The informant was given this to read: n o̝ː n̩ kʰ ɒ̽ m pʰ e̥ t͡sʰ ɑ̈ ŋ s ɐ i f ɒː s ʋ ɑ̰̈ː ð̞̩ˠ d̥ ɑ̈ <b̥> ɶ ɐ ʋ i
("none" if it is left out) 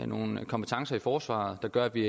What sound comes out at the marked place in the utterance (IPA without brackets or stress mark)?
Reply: ɡ̥